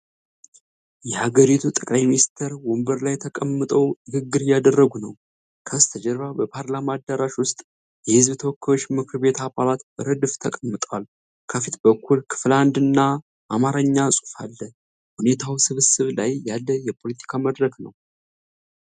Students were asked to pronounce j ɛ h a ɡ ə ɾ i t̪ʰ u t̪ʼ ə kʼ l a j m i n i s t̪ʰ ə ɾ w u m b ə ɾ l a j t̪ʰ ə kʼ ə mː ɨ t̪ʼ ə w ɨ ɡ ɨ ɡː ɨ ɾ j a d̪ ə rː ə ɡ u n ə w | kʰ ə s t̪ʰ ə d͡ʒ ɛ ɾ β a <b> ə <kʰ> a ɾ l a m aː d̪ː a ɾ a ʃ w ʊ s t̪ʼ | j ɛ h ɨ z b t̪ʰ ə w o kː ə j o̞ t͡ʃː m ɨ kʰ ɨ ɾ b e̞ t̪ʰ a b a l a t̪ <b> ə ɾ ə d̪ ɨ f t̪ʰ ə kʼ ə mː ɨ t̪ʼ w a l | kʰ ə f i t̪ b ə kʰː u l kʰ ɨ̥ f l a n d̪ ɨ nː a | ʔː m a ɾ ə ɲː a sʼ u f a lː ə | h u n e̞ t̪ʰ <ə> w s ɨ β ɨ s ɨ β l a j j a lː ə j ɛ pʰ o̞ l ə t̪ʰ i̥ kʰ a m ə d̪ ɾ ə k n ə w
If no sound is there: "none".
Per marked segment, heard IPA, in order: b, pʰ, b, a

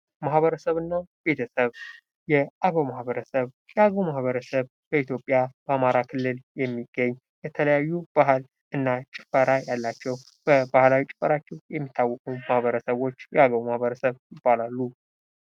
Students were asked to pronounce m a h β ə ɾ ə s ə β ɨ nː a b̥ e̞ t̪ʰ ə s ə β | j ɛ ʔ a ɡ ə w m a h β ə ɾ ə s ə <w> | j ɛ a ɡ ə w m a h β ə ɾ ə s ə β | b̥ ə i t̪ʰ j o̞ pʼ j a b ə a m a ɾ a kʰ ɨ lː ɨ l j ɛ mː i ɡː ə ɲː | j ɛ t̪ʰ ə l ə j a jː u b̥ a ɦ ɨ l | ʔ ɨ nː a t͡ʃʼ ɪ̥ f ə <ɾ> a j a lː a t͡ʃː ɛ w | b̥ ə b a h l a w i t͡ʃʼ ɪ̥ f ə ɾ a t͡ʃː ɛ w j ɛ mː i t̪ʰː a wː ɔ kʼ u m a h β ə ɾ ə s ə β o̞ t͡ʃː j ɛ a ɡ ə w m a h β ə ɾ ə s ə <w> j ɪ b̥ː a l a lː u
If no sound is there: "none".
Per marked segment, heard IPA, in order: β, ɾ, β

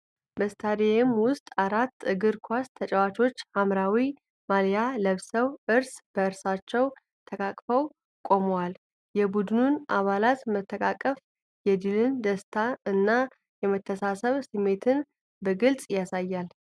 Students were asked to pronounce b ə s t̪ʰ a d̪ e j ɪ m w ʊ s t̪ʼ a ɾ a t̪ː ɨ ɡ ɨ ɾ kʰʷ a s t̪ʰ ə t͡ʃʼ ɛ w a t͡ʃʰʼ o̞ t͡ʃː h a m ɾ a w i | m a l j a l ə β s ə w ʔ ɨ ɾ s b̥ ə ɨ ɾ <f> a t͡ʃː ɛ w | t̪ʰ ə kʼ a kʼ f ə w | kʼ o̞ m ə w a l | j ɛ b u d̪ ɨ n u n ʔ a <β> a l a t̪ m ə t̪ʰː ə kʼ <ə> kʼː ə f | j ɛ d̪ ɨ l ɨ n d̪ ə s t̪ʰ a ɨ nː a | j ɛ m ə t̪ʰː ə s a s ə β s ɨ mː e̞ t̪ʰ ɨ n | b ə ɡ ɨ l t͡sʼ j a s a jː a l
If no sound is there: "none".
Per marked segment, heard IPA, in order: s, β, a

